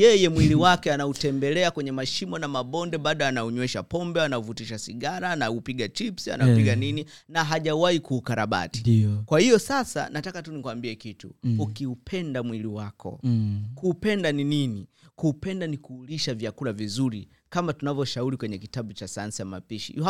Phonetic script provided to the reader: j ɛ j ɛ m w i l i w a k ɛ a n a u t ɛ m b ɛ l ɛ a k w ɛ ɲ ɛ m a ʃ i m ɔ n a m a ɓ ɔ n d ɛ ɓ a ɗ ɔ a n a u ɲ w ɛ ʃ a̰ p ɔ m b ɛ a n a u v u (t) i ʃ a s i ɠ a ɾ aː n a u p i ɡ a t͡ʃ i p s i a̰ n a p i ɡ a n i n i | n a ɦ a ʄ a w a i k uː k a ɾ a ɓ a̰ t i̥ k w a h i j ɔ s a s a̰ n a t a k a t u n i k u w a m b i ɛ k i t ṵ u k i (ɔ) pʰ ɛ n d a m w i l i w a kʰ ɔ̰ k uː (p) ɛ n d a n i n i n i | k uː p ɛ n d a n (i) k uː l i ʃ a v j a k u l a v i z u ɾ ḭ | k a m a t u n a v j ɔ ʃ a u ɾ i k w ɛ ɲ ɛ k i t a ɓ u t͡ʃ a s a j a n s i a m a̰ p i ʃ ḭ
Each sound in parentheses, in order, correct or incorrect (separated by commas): correct, incorrect, correct, correct